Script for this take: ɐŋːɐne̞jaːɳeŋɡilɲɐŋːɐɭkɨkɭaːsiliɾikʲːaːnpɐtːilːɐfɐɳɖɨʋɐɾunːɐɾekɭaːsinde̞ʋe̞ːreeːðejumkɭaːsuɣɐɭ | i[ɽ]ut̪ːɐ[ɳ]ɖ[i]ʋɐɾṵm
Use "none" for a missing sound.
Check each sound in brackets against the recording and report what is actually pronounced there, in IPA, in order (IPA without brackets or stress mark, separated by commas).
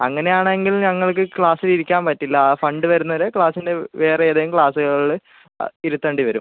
ɾ, ɳ, i